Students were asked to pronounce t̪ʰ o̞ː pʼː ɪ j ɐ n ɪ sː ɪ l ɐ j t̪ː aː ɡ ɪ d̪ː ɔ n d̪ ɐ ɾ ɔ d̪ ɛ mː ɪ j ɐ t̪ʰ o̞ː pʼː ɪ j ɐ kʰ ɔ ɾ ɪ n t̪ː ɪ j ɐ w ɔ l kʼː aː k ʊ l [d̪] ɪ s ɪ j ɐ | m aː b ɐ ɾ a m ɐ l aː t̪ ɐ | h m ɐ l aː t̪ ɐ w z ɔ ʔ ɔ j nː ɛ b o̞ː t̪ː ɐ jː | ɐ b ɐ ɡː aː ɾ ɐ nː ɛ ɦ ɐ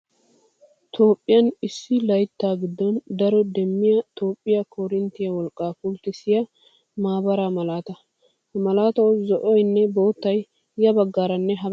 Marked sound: incorrect: t̪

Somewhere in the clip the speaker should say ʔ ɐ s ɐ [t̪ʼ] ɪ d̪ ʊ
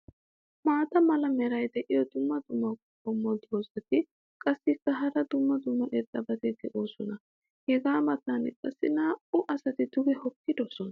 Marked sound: incorrect: t̪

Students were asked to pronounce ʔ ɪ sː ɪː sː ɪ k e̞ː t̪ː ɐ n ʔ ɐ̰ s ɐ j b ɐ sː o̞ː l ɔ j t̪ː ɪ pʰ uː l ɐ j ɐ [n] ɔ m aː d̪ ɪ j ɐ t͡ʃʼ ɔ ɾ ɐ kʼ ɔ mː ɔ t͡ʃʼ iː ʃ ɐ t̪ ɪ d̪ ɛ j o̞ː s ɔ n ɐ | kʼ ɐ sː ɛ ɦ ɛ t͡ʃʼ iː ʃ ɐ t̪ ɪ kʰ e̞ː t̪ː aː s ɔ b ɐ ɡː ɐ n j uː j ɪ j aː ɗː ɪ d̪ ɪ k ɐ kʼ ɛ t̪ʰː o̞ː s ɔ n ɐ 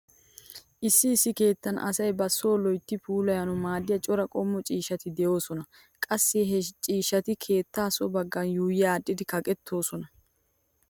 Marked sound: correct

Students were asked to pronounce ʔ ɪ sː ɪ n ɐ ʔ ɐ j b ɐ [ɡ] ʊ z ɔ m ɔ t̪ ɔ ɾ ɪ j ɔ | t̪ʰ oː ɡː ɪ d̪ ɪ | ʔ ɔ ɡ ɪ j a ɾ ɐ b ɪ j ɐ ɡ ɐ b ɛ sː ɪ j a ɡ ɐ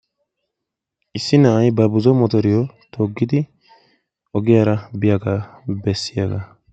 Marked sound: incorrect: b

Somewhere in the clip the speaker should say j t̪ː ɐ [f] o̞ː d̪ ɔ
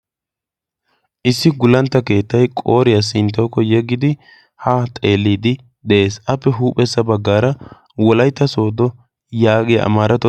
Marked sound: incorrect: s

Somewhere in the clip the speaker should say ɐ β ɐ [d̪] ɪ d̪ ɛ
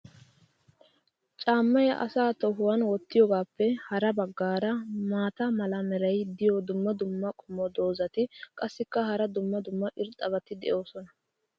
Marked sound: incorrect: t̪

